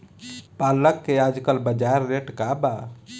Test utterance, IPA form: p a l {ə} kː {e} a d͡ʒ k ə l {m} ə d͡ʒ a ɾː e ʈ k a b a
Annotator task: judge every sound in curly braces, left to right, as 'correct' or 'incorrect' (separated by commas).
correct, correct, incorrect